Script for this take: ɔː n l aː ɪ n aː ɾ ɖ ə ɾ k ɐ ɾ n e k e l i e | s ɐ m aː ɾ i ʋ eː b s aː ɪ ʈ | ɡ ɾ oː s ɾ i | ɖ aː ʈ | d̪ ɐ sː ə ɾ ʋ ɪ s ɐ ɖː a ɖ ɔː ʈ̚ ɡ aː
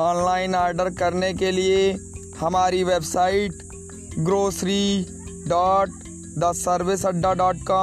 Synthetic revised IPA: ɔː n l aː ɪ n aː ɾ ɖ ə ɾ k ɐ ɾ n e k e l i e | h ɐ m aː ɾ i ʋ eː b s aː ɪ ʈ | ɡ ɾ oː s ɾ i | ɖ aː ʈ | d̪ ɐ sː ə ɾ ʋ ɪ s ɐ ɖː a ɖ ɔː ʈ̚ k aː